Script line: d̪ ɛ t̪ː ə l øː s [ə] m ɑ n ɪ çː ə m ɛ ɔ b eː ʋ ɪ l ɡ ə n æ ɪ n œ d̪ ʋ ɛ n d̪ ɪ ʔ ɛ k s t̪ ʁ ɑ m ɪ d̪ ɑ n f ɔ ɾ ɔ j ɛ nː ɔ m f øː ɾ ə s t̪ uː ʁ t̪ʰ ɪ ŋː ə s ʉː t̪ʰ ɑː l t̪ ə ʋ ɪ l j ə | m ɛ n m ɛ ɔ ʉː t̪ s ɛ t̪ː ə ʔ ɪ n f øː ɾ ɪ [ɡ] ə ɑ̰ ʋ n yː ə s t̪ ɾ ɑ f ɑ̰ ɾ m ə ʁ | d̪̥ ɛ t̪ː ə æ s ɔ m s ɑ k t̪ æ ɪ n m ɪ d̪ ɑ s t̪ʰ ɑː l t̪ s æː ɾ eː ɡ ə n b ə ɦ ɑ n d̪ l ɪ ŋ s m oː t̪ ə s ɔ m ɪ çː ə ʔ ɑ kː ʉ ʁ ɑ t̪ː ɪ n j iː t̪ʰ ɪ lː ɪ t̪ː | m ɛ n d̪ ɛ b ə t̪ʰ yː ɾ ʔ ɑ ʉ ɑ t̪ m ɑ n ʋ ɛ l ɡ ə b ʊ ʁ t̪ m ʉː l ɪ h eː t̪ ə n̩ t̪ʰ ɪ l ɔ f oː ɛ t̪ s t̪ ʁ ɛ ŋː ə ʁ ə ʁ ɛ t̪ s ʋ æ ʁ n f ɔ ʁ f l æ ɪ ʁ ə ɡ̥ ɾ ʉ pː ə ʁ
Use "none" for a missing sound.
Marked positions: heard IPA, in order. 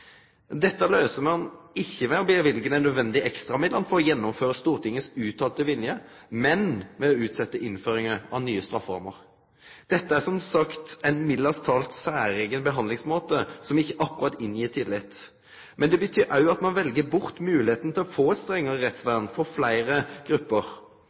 ə, ŋ

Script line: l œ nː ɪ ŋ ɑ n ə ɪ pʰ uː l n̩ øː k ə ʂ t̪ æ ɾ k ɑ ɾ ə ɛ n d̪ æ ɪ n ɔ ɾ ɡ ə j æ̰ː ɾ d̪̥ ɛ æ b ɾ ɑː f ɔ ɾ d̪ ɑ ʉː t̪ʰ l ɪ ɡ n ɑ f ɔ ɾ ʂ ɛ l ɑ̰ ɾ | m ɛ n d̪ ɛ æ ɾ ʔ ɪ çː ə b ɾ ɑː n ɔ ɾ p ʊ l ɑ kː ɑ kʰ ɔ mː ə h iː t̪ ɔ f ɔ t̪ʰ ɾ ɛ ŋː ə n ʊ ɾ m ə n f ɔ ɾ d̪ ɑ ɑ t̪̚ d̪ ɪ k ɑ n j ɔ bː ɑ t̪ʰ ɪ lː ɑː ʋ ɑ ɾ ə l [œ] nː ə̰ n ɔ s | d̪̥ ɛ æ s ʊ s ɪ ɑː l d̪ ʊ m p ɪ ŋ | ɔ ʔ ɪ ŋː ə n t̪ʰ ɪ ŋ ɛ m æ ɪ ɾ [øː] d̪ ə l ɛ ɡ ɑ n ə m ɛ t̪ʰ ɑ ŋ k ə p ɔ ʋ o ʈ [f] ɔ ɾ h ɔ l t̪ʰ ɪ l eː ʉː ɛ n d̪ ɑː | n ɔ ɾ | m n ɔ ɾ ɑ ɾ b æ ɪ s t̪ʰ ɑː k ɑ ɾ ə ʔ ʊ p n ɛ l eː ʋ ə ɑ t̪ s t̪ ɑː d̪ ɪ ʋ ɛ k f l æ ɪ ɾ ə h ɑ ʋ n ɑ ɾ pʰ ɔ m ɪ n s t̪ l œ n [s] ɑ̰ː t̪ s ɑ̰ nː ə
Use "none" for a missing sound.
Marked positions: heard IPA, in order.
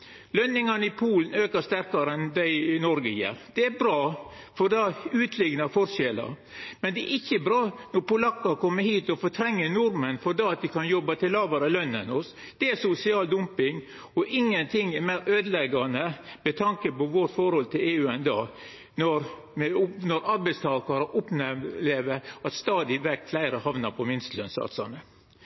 œ, øː, f, s

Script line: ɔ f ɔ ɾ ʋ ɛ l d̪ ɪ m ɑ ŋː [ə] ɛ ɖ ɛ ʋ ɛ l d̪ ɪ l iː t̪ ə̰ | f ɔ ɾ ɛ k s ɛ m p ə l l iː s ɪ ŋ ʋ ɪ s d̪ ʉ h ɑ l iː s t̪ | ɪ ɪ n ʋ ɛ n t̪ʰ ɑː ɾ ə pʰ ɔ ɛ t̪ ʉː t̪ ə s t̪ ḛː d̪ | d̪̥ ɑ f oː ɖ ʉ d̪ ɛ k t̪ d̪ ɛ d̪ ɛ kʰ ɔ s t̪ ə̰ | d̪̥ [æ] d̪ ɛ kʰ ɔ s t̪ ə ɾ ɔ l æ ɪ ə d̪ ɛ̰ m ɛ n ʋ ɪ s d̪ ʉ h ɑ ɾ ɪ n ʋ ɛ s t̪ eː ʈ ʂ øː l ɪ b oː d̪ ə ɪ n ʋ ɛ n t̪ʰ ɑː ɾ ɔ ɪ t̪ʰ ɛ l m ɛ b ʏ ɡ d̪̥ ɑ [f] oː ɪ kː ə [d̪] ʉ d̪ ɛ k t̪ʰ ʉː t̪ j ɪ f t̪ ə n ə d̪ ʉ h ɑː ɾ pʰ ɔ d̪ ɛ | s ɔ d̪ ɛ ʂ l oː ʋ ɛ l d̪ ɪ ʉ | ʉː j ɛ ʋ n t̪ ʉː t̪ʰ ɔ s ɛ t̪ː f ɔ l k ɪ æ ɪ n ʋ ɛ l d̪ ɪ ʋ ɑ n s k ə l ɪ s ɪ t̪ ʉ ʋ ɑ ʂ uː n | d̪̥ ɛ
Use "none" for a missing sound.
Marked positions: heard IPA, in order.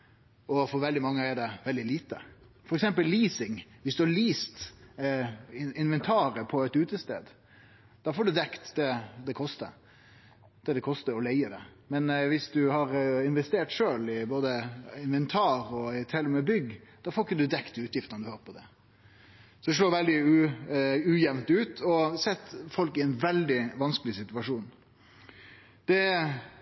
ə, ɛ, f, d̪

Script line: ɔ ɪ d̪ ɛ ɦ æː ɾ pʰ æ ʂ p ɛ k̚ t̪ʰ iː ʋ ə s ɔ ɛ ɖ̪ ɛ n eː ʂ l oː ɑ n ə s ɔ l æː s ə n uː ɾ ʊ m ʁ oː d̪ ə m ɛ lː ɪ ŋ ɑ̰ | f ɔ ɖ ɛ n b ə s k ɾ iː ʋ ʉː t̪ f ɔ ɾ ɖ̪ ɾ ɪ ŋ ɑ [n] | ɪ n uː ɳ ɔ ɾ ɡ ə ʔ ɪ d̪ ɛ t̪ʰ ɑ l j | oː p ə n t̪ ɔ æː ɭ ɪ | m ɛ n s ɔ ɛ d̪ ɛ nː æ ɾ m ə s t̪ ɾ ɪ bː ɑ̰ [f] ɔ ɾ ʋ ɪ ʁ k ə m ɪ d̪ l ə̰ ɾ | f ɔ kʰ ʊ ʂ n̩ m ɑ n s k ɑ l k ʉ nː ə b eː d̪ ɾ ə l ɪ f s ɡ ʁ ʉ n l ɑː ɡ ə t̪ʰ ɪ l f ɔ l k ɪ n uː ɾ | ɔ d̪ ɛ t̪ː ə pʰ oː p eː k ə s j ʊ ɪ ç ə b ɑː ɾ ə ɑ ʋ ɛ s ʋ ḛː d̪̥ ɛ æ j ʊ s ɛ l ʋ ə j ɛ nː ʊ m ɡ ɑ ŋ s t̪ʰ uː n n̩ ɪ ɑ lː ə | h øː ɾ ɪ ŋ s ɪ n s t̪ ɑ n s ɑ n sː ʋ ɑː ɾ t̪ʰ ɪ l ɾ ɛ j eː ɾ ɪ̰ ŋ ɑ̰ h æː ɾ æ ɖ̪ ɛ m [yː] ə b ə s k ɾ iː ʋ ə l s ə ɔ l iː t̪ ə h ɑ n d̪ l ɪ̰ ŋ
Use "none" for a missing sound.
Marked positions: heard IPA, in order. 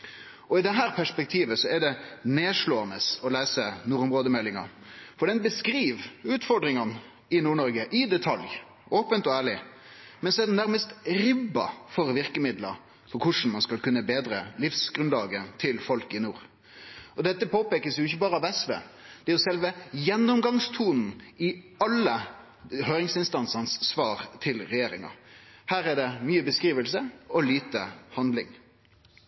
n, f, yː

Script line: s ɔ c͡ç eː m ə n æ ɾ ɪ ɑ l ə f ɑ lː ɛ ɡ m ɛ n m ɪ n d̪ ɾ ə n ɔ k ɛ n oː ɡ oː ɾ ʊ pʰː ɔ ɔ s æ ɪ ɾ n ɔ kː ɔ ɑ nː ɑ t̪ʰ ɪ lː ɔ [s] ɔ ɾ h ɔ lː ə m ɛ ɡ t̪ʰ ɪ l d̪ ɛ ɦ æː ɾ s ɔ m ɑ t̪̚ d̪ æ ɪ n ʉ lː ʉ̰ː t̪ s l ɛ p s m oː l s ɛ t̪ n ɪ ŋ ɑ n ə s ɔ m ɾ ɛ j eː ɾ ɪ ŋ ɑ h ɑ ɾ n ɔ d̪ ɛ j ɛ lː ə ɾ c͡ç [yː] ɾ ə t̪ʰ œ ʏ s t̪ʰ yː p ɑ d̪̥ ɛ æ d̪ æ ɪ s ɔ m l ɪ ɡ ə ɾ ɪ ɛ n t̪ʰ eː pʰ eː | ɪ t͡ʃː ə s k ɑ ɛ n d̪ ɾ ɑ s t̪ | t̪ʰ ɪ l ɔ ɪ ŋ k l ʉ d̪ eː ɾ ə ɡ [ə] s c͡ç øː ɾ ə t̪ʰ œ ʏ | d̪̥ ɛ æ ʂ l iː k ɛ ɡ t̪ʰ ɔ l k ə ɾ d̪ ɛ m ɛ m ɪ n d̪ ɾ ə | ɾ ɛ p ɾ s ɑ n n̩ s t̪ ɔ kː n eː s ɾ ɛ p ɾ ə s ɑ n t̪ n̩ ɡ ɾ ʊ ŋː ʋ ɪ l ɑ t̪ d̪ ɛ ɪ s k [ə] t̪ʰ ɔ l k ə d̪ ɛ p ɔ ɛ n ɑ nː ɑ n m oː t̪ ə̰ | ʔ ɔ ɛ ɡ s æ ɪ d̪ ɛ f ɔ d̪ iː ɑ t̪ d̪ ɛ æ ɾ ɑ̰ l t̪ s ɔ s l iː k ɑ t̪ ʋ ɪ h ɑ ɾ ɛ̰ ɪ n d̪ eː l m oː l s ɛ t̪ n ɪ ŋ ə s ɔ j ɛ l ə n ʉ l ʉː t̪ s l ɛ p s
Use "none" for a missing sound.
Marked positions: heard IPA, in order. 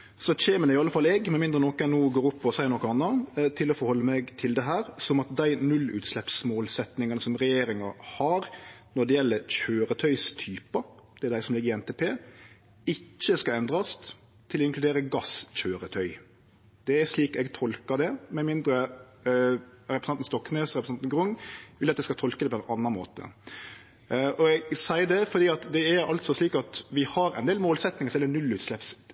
f, øː, ɑ, ɑ

